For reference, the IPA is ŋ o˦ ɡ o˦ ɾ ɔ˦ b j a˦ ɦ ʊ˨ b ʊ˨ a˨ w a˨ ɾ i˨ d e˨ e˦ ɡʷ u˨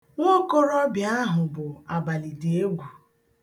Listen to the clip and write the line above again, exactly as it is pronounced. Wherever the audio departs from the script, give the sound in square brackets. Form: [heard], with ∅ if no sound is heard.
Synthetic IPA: ŋ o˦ [k] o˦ ɾ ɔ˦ b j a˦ ɦ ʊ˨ b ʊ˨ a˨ [b] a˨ [l] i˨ d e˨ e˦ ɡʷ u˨